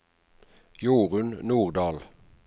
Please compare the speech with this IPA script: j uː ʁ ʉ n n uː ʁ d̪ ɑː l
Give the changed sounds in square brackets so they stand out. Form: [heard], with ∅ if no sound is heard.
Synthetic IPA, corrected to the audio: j uː ʁ ʉ n n uː ʁ d̪ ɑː l